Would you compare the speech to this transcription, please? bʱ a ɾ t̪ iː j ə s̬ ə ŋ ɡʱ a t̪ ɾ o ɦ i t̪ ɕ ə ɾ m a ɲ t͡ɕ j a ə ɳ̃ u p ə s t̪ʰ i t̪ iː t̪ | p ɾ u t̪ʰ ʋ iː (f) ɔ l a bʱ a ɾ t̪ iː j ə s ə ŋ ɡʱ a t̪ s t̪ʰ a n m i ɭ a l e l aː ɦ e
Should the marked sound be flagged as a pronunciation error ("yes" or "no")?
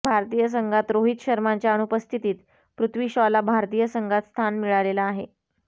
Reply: yes